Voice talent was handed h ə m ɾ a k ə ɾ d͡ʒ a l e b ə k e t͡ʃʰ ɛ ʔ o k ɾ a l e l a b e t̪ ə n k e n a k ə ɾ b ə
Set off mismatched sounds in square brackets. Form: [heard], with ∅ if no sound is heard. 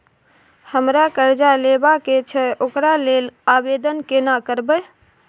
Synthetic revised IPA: h ə m ɾ a k ə ɾ d͡ʒ a l e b [a] k e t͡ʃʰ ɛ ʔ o k ɾ a l e l a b e [d̪] ə n k e n a k ə ɾ b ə